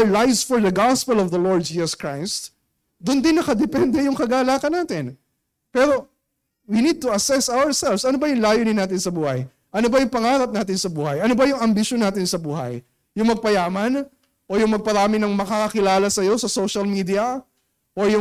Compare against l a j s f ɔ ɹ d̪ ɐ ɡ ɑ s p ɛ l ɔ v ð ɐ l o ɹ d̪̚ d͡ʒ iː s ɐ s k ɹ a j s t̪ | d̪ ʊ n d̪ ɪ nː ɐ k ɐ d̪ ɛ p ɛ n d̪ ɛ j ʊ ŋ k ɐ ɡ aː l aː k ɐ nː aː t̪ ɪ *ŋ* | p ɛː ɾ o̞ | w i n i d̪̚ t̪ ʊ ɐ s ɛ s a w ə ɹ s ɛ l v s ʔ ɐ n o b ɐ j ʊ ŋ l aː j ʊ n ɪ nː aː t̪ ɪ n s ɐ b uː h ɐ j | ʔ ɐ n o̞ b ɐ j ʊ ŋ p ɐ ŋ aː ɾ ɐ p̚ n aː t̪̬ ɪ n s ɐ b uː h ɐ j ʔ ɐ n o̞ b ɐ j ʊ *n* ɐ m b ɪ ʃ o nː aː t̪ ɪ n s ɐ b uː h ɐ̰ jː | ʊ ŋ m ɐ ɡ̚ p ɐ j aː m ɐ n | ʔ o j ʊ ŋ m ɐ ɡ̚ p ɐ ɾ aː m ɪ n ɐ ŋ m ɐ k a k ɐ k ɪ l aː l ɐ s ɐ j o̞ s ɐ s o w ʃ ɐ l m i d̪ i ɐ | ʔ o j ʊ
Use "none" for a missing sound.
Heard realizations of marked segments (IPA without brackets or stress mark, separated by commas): n, ŋ